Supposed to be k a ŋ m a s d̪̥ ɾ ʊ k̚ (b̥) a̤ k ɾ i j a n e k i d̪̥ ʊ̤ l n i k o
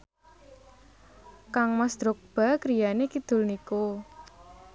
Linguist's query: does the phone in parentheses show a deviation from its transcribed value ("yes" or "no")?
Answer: no